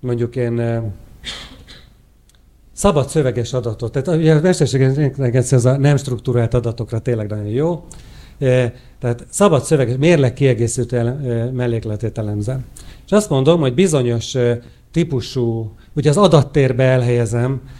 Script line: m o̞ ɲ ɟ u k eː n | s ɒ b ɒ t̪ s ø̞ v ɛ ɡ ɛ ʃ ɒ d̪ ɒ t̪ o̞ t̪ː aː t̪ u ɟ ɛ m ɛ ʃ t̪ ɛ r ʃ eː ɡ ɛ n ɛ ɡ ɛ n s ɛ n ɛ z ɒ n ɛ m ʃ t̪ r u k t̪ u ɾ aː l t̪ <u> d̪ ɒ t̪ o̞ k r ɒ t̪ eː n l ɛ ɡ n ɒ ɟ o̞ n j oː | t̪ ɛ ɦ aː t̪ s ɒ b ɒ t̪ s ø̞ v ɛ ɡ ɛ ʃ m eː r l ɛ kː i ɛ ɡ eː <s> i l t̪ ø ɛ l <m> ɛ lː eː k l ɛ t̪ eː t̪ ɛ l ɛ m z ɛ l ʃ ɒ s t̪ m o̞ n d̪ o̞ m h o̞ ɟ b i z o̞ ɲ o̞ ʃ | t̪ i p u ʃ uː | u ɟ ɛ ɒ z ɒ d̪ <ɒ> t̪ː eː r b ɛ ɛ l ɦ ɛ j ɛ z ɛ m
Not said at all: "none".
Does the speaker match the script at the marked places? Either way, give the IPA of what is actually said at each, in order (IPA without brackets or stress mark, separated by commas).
ɒ, s, m, ɒ